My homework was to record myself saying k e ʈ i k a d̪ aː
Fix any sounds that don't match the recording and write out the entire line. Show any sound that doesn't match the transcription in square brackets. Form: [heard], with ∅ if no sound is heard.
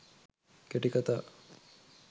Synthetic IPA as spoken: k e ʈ i k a [t̪] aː

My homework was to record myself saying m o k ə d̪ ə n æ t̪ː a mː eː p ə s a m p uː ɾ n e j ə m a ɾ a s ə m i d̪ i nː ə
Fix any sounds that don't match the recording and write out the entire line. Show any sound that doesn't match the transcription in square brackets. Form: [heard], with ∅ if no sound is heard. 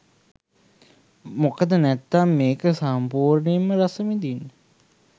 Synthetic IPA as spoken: m o k ə d̪ ə n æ t̪ː a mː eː [k] ə s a m p uː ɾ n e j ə m [ə] ɾ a s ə m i d̪ i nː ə

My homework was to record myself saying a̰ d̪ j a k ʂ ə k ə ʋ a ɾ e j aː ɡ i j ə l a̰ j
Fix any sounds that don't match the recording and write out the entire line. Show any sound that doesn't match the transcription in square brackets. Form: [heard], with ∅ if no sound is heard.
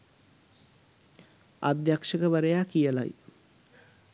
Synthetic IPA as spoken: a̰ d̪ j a k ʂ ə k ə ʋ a ɾ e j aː [k] i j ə l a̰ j

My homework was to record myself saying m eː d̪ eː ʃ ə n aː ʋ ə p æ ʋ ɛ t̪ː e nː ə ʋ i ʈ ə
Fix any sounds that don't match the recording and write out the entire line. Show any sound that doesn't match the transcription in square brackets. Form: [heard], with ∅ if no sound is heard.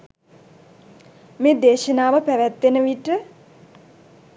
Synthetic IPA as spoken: m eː d̪ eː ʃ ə n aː ʋ ə p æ ʋ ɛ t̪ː e [n] ə ʋ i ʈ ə

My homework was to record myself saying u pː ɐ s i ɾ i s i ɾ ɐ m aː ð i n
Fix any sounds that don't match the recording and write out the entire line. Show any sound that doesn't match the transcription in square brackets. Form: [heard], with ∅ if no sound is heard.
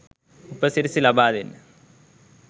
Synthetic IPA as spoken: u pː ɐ s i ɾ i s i [l] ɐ [b] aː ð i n

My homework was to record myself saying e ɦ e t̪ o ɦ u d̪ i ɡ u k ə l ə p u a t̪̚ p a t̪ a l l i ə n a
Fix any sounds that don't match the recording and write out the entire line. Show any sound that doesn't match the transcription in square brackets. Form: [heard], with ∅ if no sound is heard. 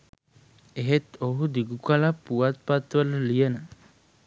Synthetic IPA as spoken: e ɦ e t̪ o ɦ u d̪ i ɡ u k [a] l [a] p u a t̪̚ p a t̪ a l l i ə n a

